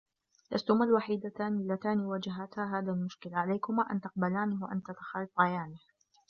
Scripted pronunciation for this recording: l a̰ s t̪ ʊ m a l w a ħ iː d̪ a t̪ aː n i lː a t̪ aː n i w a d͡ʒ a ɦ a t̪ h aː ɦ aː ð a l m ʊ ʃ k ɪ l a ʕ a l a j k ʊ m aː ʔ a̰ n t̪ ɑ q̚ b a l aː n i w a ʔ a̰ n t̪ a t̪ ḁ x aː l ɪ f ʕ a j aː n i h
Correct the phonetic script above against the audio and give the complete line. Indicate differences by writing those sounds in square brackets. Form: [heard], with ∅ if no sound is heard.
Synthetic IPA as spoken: l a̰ s t̪ ʊ m a l w a ħ iː d̪ a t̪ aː n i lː a t̪ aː n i w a d͡ʒ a ɦ a t̪ h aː ɦ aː ð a l m ʊ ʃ k ɪ l a ʕ a l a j k ʊ m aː ʔ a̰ n t̪ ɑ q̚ b a l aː n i w a ʔ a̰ n t̪ a t̪ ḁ x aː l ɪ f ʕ a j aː n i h